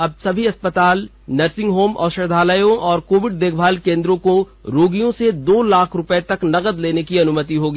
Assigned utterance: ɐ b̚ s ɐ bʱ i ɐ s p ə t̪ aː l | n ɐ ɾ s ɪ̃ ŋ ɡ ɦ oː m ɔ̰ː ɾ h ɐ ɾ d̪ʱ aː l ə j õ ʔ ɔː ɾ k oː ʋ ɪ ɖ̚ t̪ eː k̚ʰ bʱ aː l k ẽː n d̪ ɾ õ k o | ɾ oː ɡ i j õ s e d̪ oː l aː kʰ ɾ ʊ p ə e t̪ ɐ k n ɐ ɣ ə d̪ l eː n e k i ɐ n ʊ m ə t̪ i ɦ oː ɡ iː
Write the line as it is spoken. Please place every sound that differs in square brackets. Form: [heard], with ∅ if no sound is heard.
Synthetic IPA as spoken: ɐ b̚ s ɐ bʱ i ɐ s p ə t̪ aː l | n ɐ ɾ s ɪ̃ ŋ ɡ ɦ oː m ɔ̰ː ɾ [ʃ] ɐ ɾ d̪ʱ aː l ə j õ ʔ ɔː ɾ k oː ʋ ɪ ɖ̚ [d̪] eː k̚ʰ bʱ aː l k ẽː n d̪ ɾ õ k o | ɾ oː ɡ i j õ s e d̪ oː l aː kʰ ɾ ʊ p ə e t̪ ɐ k n ɐ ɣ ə d̪ l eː n e k i ɐ n ʊ m ə t̪ i ɦ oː ɡ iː